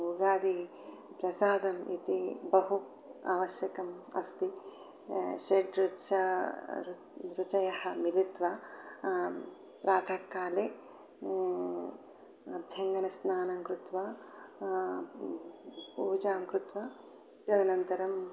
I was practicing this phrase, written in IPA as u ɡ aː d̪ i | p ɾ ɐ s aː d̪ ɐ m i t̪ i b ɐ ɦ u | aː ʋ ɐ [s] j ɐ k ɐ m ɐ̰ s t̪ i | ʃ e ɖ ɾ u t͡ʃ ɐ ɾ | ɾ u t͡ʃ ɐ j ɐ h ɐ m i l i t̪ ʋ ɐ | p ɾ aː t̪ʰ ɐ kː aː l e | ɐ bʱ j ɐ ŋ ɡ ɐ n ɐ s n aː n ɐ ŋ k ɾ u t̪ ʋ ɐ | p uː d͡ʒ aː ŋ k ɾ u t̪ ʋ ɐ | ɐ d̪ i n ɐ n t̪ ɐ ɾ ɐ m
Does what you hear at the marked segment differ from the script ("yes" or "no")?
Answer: yes